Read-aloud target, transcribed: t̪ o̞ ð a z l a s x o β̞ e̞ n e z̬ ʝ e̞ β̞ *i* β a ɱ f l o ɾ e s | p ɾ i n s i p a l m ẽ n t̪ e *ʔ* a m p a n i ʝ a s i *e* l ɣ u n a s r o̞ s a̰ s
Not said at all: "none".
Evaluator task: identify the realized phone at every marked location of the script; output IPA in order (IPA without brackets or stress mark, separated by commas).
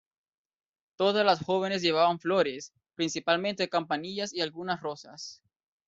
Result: a, k, a